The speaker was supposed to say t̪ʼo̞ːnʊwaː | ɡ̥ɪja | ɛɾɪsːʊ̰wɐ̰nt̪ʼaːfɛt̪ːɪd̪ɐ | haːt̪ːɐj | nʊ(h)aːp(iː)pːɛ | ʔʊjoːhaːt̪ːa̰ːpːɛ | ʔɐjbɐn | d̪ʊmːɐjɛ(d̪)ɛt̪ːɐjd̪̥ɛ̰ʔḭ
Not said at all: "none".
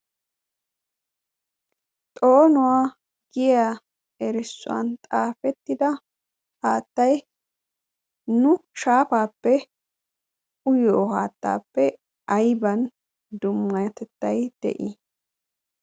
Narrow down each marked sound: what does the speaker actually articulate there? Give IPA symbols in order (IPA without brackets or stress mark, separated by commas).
ʃ, aː, t̪